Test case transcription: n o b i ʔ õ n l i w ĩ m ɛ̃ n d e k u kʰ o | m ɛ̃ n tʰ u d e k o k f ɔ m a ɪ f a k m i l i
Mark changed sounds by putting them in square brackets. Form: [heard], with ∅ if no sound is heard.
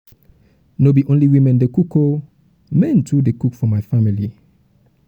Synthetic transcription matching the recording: n o b i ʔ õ n l i w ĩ m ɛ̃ n d e k u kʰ o | m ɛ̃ n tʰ u d e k [u] k f ɔ m a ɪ f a [∅] m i l i